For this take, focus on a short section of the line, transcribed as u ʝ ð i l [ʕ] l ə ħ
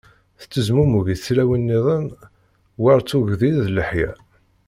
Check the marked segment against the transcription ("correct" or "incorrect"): incorrect